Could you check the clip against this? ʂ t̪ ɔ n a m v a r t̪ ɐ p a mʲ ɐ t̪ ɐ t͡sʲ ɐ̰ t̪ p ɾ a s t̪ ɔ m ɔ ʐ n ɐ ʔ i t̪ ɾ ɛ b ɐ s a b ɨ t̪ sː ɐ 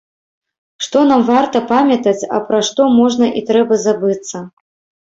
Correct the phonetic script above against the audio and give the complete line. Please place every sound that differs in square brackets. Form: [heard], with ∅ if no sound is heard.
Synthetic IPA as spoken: ʂ t̪ ɔ n a m v a r t̪ ɐ p a mʲ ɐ t̪ ɐ t͡sʲ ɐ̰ [∅] p ɾ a [ʂ] t̪ ɔ m ɔ ʐ n ɐ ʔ i t̪ ɾ ɛ b ɐ [z] a b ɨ t̪ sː ɐ